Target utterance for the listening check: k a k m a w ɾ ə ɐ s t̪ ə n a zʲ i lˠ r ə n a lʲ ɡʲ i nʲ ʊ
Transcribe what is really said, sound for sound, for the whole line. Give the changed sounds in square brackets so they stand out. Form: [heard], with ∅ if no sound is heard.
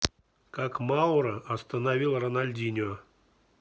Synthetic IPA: k a k m a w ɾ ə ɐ s t̪ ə n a [vʲ] i lˠ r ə n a lʲ [dʲ] i nʲ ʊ